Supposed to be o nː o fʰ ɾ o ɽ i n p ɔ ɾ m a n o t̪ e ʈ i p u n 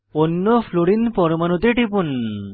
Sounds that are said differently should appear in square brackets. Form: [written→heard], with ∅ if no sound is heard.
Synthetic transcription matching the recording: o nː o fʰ [ɾ→l] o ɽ i n p ɔ ɾ m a n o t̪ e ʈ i p u n